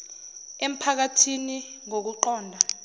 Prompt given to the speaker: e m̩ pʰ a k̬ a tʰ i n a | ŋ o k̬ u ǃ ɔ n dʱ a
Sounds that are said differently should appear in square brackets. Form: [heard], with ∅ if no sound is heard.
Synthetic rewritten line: e m̩ pʰ a k̬ a tʰ i n [i] | ŋ o k̬ u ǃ [ɔː] n dʱ a